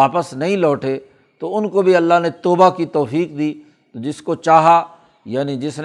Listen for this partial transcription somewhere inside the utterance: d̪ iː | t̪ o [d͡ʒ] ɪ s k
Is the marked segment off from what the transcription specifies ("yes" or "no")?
no